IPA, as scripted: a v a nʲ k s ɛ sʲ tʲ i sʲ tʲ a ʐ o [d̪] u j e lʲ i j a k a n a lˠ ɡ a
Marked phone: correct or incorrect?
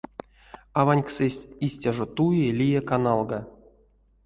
incorrect